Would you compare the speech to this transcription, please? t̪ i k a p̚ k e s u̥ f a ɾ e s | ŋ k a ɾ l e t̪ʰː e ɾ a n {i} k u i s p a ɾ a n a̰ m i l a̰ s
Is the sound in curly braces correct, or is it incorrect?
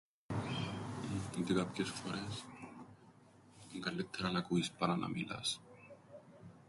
incorrect: a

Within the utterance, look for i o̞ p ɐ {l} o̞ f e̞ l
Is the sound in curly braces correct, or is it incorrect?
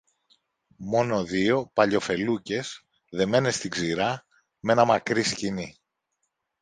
incorrect: ʎ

